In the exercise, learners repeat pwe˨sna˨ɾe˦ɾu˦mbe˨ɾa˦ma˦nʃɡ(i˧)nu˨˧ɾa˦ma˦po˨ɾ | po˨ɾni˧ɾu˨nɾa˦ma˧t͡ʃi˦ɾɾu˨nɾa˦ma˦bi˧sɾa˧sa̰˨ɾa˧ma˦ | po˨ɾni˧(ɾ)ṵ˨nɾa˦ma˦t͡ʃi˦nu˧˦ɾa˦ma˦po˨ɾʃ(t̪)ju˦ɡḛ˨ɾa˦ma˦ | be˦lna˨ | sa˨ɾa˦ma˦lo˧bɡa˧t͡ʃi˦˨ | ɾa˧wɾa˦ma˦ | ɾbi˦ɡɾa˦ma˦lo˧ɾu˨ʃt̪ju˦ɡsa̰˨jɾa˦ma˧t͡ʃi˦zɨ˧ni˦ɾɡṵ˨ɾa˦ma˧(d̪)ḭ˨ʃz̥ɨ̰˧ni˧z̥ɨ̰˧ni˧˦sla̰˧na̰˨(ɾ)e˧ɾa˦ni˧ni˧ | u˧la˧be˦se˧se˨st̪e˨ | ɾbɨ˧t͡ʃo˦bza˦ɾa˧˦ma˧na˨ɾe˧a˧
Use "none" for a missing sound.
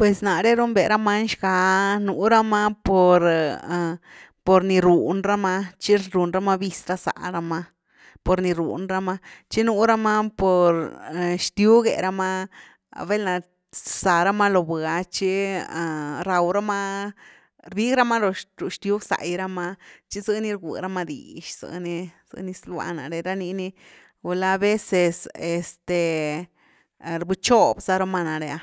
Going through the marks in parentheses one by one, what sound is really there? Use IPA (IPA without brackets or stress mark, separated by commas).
a˧, ɾ, t̪, d̪, ɾ